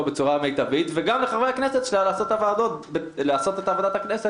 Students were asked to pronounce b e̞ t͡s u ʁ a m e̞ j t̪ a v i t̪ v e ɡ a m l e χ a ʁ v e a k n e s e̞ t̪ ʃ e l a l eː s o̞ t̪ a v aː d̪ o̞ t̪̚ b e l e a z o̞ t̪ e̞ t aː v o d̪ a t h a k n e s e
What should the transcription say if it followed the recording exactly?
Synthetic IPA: b e̞ t͡s u ʁ a m e̞ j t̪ a v i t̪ v e ɡ a m l e χ a ʁ v e a k n e s e̞ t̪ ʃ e l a l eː s o̞ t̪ a v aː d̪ o̞ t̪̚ b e l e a s o̞ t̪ e̞ t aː v o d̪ a t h a k n e s e